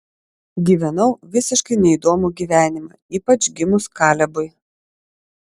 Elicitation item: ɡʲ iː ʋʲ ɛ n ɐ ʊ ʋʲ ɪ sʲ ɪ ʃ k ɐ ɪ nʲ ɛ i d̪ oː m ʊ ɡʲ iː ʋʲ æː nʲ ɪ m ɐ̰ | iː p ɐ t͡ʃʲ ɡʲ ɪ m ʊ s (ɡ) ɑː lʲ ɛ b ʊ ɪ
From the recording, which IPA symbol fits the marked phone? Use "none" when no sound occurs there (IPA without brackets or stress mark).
k